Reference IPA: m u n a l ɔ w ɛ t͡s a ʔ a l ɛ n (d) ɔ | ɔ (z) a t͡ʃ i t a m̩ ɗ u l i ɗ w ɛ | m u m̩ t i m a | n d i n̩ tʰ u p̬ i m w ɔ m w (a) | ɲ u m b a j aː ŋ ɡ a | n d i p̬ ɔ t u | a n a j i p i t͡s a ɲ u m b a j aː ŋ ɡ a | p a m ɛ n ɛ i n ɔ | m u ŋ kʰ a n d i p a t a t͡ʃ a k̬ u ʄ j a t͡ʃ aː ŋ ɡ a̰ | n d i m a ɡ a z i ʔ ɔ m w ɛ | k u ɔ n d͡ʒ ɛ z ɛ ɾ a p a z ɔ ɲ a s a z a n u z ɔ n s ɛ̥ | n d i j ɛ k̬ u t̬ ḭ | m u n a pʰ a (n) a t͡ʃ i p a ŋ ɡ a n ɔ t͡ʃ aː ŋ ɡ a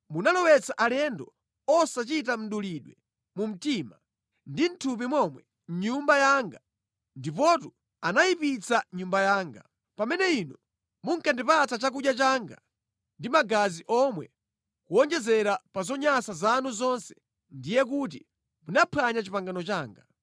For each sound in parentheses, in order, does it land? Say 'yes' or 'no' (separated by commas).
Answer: yes, no, no, no